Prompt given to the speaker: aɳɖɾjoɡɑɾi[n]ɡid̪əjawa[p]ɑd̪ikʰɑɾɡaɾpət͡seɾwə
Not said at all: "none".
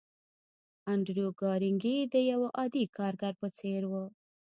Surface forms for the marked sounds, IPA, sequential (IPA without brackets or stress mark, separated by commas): ŋ, ʔ